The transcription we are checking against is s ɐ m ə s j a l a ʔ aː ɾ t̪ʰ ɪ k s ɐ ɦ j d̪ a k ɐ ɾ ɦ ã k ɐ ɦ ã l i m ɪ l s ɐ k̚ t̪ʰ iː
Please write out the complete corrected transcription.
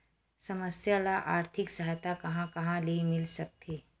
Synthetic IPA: s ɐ m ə s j a l a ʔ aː ɾ t̪ʰ ɪ k s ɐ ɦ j t̪ a k ɐ ɦ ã k ɐ ɦ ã l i m ɪ l s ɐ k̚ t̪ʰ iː